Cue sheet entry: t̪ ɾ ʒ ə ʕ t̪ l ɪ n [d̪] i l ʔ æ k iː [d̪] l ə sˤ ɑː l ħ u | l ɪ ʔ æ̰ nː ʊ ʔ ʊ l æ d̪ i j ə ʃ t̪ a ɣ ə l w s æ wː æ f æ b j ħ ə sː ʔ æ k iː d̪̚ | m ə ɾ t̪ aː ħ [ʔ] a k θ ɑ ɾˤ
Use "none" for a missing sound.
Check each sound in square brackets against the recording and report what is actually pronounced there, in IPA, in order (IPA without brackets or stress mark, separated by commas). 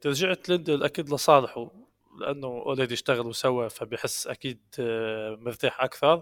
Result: d̪, d̪, ʔ